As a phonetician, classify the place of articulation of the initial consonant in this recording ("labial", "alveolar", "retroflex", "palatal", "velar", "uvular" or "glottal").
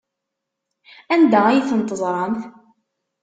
alveolar